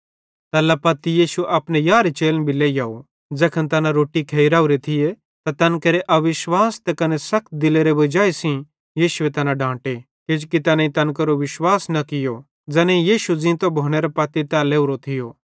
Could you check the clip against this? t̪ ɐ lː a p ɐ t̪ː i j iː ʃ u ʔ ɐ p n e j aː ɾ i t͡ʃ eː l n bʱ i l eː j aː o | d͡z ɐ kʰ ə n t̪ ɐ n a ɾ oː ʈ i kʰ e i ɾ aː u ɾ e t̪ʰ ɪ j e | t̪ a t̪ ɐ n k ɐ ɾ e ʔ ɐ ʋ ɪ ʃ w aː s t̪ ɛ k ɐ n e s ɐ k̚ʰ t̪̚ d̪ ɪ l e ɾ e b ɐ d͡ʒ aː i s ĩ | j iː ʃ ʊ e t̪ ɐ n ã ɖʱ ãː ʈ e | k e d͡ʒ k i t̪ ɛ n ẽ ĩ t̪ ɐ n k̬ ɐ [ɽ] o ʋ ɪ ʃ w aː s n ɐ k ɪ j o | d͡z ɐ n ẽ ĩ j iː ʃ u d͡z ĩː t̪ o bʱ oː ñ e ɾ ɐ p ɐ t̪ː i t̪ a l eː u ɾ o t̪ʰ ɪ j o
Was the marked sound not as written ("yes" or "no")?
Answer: yes